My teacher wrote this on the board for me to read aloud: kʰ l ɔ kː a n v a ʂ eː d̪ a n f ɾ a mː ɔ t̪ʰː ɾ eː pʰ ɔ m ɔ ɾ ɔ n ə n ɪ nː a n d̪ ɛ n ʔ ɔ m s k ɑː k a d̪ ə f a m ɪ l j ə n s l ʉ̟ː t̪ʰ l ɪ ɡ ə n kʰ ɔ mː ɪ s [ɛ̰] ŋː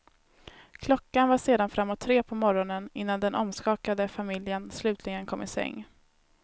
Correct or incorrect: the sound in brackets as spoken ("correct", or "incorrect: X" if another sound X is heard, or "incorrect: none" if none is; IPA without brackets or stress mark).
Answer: correct